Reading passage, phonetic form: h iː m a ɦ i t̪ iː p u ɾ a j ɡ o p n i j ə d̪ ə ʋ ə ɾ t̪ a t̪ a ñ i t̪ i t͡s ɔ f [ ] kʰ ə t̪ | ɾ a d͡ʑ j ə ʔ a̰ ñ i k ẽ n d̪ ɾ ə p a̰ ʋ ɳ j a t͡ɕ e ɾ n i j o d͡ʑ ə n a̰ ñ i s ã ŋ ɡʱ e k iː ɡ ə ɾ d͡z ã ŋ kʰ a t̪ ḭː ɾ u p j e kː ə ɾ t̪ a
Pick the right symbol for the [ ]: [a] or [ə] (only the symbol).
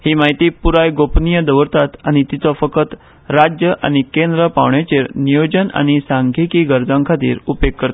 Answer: ə